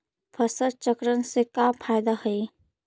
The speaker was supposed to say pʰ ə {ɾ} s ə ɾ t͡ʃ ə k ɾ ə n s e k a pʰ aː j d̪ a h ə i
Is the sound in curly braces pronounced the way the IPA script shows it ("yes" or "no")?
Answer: no